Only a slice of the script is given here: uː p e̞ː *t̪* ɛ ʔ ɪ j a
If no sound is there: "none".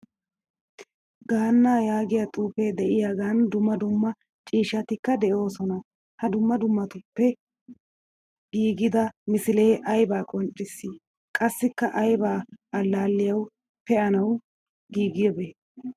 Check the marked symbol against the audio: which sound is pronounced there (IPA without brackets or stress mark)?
d̪